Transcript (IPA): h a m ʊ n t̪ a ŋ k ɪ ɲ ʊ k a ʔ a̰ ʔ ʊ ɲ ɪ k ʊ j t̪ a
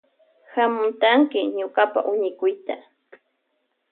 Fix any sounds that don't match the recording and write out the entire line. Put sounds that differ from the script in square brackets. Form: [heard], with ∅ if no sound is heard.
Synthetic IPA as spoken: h a m ʊ n t̪ a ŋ k ɪ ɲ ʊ k a [p] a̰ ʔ ʊ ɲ ɪ k ʊ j t̪ a